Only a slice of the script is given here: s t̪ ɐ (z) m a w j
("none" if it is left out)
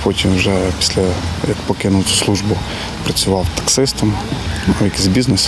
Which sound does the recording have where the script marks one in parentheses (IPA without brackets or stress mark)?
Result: none